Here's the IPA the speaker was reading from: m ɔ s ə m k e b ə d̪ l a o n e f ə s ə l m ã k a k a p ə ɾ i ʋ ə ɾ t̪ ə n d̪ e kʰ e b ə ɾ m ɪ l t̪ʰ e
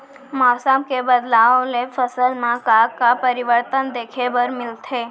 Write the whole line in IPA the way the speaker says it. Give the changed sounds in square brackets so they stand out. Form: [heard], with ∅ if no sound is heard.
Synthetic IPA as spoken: m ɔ s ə m k e b ə d̪ l a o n e f ə s ə l m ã k a k a p ə ɾ i ʋ ə ɾ t̪ ə n d̪ e kʰ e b ə ɾ m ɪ l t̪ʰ e